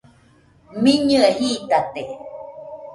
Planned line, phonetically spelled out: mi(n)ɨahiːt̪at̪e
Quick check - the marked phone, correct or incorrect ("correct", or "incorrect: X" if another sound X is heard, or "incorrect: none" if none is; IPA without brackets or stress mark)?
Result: incorrect: ɲ